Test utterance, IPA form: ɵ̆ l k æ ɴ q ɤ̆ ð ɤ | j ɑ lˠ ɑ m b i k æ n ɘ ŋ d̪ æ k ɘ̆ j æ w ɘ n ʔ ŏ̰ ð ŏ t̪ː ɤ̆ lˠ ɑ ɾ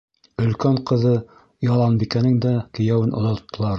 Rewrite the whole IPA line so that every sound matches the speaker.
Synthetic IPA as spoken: ɵ̆ l k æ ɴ q ɤ̆ ð ɤ | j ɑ lˠ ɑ n b i k æ n ɘ ŋ d̪ æ k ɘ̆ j æ w ɘ n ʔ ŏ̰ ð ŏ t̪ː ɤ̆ lˠ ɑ ɾ